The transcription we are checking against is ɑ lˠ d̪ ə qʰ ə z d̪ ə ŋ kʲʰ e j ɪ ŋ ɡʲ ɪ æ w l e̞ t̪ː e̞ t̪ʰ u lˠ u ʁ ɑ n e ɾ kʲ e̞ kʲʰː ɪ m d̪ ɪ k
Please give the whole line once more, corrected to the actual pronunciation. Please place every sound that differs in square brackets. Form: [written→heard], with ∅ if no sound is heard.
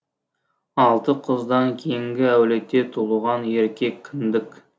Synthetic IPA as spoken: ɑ lˠ [d̪→t̪] ə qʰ ə z d̪ [ə→ɑ] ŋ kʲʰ e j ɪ ŋ ɡʲ ɪ æ w l e̞ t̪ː e̞ t̪ʰ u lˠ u ʁ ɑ n e ɾ kʲ e̞ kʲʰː ɪ [m→n] d̪ ɪ k